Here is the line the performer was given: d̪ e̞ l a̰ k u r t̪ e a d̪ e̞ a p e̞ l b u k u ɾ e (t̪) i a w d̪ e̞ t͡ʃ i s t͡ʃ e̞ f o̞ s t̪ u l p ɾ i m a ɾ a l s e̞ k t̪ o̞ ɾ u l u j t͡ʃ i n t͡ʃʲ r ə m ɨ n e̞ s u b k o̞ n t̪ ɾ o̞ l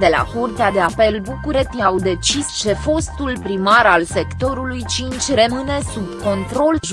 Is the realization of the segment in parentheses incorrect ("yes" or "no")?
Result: no